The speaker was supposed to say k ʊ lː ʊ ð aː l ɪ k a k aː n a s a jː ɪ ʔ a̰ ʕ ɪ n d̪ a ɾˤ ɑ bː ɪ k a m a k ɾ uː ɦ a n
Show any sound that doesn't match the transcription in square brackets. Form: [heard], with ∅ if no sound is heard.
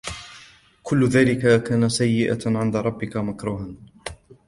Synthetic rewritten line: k ʊ lː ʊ ð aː l ɪ k a k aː n a s a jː ɪ ʔ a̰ ʕ ɪ n d̪ a ɾˤ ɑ bː ɪ k a m a k ɾ uː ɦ a n